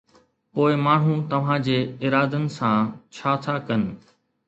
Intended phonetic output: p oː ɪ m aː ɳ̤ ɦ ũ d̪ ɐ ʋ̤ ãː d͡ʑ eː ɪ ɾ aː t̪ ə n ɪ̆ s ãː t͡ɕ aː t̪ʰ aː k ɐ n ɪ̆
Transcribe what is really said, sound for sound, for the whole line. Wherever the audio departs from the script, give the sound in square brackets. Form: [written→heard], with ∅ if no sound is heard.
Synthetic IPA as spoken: p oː ɪ m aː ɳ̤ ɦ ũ [d̪→t̪] ɐ ʋ̤ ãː d͡ʑ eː ɪ ɾ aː [t̪→d̪] ə n ɪ̆ s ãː [t͡ɕ→t͡ɕʰ] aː t̪ʰ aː k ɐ n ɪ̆

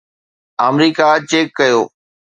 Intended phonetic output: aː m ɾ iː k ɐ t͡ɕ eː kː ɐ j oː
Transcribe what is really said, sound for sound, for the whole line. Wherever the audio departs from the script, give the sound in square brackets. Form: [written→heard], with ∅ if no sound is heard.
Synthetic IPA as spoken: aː m ɾ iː k [ɐ→a] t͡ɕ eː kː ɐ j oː

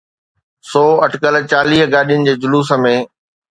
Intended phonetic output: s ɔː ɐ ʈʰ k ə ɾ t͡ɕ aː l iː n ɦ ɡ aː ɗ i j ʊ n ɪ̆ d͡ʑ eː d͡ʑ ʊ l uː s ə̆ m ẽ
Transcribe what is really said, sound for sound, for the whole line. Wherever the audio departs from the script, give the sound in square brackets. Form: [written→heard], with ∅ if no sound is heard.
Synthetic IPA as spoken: s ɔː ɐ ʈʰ k ə [ɾ→l] t͡ɕ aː l iː [n→∅] ɦ ɡ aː ɗ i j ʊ n ɪ̆ d͡ʑ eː d͡ʑ ʊ l uː s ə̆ m ẽ

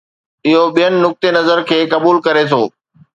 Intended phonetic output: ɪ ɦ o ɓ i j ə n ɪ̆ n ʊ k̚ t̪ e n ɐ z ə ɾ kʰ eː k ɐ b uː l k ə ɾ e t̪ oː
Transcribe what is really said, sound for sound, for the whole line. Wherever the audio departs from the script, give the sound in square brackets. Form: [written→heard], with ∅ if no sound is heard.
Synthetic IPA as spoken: ɪ ɦ o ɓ i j ə n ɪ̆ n ʊ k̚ t̪ e n ɐ z ə ɾ kʰ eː k ɐ b uː l k [ə→ɐ] ɾ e [t̪→t̪ʰ] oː

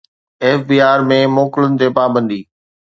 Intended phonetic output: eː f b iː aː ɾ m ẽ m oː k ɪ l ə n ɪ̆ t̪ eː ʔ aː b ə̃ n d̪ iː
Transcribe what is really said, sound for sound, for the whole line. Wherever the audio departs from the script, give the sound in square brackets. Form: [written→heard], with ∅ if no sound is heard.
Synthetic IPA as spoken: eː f b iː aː ɾ m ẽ m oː k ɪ l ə n ɪ̆ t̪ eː [ʔ→p] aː b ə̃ n d̪ iː

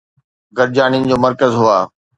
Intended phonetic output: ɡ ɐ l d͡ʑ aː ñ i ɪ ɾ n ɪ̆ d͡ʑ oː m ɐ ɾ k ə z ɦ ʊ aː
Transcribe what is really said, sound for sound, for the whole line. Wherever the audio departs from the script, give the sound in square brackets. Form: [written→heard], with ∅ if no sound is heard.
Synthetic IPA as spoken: ɡ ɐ [l→ɾ] d͡ʑ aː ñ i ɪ [ɾ→∅] n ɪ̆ d͡ʑ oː m ɐ ɾ k ə z ɦ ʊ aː

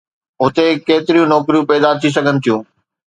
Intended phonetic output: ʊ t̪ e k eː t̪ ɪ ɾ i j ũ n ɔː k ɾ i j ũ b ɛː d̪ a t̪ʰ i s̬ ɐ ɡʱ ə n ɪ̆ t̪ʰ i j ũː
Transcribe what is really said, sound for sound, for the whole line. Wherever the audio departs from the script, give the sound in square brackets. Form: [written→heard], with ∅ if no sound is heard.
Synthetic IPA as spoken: ʊ t̪ e k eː t̪ ɪ ɾ i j ũ n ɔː k ɾ i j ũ [b→p] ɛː d̪ a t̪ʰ i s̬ ɐ ɡʱ ə n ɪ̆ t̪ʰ i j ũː

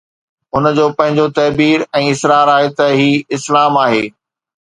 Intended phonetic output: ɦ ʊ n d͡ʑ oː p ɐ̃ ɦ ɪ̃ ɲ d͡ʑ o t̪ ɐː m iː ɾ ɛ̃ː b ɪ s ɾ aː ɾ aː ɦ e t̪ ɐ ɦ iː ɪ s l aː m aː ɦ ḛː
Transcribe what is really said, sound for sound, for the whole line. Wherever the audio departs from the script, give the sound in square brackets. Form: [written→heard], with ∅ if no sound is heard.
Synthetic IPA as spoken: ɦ ʊ n d͡ʑ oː p ɐ̃ ɦ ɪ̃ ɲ d͡ʑ o t̪ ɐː [m→b] iː ɾ ɛ̃ː [b→∅] ɪ s ɾ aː ɾ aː ɦ e t̪ ɐ ɦ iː ɪ s l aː m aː ɦ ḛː

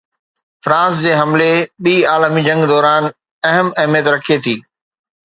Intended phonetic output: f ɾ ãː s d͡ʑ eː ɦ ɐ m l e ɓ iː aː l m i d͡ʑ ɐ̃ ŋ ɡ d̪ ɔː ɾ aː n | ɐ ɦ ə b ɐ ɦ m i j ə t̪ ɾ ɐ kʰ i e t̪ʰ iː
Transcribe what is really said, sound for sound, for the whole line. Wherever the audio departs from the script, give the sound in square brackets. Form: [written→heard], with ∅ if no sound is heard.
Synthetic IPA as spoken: f ɾ ãː s d͡ʑ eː ɦ ɐ m l e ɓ iː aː l m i d͡ʑ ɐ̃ ŋ ɡ d̪ ɔː ɾ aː n | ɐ ɦ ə [b→m] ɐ ɦ m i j ə t̪ ɾ ɐ kʰ i e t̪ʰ iː

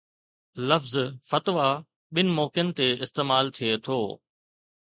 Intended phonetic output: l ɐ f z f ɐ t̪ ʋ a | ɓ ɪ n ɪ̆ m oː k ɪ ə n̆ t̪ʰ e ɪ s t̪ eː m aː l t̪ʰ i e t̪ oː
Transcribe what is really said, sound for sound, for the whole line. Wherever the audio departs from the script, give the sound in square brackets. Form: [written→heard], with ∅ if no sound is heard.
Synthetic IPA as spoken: l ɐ f z f ɐ t̪ ʋ a | ɓ ɪ n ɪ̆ m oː k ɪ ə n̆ [t̪ʰ→t̪] e ɪ s t̪ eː m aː l t̪ʰ i e [t̪→t̪ʰ] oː

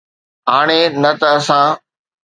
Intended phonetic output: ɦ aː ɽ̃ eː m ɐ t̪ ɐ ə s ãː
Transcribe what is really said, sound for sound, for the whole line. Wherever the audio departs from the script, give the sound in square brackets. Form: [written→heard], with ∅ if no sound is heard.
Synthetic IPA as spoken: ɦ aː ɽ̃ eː [m→n] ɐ t̪ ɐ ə s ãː

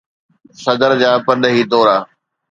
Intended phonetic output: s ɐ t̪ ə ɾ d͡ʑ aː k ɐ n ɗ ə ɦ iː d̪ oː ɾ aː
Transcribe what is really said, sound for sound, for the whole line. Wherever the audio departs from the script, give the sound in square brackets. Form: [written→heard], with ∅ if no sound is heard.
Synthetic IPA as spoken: s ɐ [t̪→d̪] ə ɾ d͡ʑ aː [k→p] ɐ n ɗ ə ɦ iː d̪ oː ɾ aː

